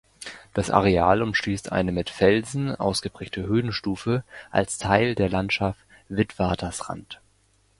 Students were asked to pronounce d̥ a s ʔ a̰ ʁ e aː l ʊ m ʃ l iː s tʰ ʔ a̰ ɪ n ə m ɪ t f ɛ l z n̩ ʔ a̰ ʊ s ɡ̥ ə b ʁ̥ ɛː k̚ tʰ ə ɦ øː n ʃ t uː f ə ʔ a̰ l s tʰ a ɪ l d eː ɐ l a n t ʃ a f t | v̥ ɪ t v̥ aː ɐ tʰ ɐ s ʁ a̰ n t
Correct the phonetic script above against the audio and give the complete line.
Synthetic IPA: d̥ a s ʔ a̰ ʁ e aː l ʊ m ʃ l iː s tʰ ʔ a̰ ɪ n ə m ɪ t f ɛ l z n̩ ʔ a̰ ʊ s ɡ̥ ə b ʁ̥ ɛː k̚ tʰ ə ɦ øː n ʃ t uː f ə ʔ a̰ l s tʰ a ɪ l d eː ɐ l a n t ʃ a f t | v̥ ɪ t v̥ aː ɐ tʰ ɐ s ʁ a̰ n t